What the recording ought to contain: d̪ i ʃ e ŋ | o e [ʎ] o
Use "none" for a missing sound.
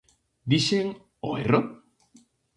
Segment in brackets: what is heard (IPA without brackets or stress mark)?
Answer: r